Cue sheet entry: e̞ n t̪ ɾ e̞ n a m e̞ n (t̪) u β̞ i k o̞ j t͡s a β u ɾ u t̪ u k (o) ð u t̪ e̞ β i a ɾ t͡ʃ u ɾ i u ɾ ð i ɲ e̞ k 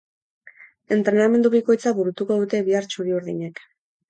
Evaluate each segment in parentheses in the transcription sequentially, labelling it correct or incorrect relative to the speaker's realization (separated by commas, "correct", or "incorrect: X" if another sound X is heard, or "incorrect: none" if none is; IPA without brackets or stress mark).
incorrect: d̪, correct